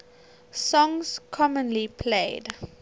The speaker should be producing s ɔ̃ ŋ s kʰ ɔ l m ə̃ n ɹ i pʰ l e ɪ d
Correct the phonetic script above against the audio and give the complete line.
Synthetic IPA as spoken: s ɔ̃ ŋ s kʰ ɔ m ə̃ n l i pʰ l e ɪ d